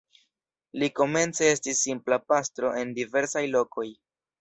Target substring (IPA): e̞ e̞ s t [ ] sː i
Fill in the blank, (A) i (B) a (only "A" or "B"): A